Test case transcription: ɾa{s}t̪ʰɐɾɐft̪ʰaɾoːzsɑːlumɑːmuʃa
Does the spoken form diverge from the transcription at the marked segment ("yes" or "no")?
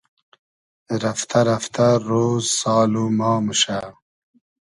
yes